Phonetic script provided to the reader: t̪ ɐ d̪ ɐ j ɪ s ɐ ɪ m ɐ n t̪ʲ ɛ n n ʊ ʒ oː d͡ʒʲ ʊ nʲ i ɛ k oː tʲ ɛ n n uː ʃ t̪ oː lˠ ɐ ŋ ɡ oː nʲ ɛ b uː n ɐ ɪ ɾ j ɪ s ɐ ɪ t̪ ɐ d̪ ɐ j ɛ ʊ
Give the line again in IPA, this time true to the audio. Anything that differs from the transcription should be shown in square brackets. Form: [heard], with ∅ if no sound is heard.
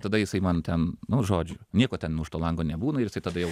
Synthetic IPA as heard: t̪ ɐ d̪ ɐ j ɪ s ɐ ɪ m ɐ n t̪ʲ ɛ n n ʊ ʒ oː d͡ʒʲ ʊ nʲ i ɛ k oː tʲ ɛ n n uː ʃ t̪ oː lˠ ɐ ŋ ɡ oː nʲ ɛ b uː n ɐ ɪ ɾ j ɪ s ɐ ɪ t̪ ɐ d̪ ɐ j ɛ ʊ